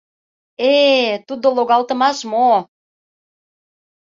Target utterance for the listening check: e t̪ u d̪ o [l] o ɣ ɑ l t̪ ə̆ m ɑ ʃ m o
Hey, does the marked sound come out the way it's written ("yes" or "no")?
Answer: yes